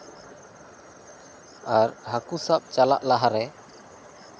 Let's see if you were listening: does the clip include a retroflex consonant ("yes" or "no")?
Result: no